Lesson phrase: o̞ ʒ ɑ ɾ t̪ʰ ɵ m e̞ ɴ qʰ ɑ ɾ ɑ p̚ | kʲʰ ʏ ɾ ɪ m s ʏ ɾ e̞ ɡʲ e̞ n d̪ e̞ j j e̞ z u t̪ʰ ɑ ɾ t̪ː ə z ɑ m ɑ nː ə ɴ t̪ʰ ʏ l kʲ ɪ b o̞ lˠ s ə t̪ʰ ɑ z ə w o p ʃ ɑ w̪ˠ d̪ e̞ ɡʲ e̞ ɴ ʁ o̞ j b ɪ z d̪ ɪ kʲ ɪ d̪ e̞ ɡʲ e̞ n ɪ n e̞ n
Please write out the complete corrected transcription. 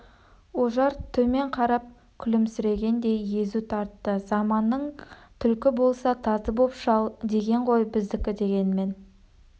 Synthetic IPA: o̞ ʒ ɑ ɾ t̪ʰ ɵ m e̞ ɴ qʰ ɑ ɾ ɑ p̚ | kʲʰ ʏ l ɪ m s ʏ ɾ e̞ ɡʲ e̞ n d̪ e̞ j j e̞ z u t̪ʰ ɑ ɾ t̪ː ə z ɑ m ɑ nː ə ɴ t̪ʰ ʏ l kʲ ɪ b o̞ lˠ s ɑ t̪ʰ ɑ z ə b o p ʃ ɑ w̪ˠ d̪ e̞ ɡʲ e̞ ɴ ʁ o̞ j b ɪ z d̪ ɪ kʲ ɪ d̪ e̞ ɡʲ e̞ n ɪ m e̞ n